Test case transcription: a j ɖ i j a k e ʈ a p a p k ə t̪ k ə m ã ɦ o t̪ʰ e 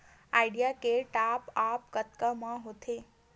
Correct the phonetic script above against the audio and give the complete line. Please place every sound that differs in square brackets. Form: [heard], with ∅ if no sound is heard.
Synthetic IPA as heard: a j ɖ i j a k e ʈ a p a p k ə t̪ k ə m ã ɦ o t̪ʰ e